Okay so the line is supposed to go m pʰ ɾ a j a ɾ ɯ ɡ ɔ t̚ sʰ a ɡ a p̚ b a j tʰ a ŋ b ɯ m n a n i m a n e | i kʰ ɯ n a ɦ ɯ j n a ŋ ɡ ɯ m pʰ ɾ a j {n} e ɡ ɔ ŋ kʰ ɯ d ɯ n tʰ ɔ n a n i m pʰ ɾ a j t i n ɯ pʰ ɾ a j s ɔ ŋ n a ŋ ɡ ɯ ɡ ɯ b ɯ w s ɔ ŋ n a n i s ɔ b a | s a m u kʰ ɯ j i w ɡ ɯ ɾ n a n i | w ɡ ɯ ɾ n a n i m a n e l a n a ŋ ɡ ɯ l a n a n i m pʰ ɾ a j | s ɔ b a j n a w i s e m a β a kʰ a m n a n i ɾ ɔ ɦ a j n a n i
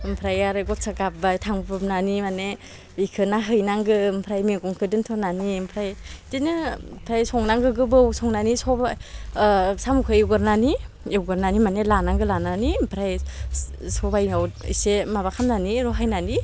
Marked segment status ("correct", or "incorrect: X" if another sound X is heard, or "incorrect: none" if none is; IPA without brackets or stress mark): incorrect: m